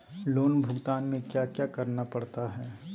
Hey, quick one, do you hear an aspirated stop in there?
no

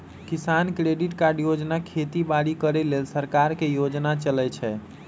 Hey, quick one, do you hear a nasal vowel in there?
no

